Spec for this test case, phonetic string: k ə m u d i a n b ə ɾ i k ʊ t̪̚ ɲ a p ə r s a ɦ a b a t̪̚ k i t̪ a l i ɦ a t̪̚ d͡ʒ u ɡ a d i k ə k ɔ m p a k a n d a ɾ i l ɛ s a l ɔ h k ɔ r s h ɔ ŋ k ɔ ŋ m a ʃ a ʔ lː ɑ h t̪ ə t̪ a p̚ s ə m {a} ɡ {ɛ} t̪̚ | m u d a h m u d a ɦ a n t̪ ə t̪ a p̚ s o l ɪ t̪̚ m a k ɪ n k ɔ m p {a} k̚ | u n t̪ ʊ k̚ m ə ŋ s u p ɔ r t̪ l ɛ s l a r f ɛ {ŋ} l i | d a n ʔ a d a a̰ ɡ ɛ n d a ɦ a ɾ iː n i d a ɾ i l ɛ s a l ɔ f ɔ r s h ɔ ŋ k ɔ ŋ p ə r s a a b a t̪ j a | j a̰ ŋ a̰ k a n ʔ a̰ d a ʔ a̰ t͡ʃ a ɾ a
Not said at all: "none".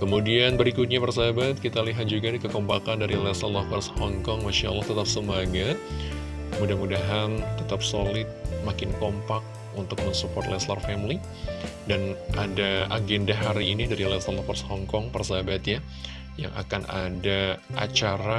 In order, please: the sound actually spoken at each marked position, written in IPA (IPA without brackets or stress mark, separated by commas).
a, a, a, m